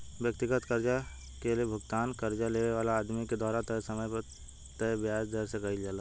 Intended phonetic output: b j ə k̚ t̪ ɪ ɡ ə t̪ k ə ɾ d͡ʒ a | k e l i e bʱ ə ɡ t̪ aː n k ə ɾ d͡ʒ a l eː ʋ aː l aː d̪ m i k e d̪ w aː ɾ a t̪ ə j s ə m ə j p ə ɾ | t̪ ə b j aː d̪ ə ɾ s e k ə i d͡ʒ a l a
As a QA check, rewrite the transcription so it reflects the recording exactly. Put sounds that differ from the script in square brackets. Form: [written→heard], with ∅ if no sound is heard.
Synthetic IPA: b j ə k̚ t̪ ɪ ɡ ə t̪ k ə ɾ d͡ʒ a | k e l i e bʱ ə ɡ t̪ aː n k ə ɾ d͡ʒ a l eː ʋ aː l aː d̪ m i k e d̪ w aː ɾ a t̪ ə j s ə m ə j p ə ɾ | t̪ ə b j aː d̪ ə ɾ s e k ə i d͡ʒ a l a